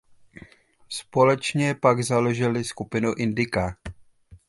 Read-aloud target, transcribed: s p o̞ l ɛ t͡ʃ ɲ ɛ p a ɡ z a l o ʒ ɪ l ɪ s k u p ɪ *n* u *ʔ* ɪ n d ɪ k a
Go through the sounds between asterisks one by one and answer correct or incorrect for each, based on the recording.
correct, correct

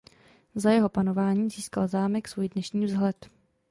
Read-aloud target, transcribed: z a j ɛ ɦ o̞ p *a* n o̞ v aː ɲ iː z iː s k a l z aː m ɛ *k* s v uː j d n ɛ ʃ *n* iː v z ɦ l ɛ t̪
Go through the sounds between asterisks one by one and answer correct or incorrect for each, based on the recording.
correct, correct, incorrect

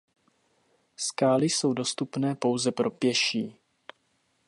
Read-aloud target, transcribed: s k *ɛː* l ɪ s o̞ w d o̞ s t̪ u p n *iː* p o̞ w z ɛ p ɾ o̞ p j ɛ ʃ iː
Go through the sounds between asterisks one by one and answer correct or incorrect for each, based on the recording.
incorrect, incorrect

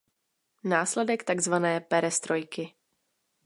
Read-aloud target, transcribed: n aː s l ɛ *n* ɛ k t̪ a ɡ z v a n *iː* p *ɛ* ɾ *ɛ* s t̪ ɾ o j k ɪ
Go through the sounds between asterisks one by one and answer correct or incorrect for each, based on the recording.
incorrect, incorrect, correct, correct

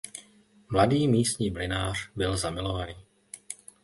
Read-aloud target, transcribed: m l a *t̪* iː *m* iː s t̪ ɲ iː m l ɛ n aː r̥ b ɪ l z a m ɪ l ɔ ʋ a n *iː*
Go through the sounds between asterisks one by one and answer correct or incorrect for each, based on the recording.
incorrect, correct, correct

